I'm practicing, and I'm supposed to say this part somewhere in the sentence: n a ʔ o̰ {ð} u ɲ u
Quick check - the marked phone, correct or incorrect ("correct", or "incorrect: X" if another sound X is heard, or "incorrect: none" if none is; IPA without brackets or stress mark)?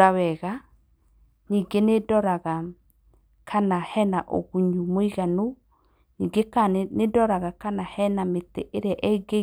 incorrect: ɣ